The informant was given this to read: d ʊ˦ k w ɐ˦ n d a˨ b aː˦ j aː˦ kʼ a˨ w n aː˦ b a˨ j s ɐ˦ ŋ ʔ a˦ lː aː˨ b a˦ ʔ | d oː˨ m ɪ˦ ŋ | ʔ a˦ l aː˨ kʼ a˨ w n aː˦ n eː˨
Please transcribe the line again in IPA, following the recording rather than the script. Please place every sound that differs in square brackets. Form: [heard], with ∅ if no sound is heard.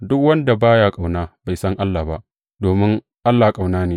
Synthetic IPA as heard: d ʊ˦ k w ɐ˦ n d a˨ b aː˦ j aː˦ kʼ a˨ w n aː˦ b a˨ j s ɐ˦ ŋ ʔ a˦ lː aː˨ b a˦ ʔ | d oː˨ m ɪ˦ ŋ | ʔ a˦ [lː] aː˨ kʼ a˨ w n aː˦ n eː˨